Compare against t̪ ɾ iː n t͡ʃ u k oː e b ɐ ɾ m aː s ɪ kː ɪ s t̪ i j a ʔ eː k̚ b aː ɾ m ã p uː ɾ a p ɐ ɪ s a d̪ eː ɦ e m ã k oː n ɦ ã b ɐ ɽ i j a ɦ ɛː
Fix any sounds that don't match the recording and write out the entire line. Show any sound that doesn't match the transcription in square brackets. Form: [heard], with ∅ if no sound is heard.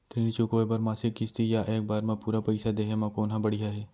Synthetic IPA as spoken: t̪ ɾ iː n t͡ʃ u k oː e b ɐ ɾ m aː s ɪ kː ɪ s t̪ i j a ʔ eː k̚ b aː ɾ m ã p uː ɾ a p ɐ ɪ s a d̪ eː ɦ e m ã k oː n ɦ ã b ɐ ɽ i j a ɦ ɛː